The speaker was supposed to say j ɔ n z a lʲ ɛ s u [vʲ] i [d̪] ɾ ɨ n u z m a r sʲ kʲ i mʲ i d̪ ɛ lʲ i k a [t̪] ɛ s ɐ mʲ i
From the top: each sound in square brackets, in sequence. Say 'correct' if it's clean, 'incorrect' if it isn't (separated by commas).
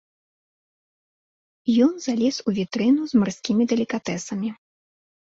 correct, incorrect, correct